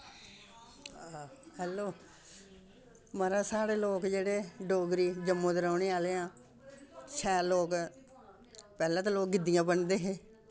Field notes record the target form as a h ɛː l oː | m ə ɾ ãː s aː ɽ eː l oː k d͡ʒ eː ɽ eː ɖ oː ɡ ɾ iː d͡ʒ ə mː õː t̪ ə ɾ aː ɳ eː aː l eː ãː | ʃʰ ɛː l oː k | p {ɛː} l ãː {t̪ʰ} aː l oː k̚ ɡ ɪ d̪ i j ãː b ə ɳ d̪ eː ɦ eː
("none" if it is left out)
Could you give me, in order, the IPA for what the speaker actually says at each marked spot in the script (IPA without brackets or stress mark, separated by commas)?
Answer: ɛː, t̪